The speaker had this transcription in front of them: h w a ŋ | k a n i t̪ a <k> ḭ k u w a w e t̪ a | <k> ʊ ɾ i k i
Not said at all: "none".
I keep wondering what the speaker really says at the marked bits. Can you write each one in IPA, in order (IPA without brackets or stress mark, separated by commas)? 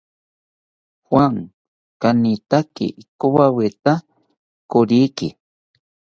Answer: k, k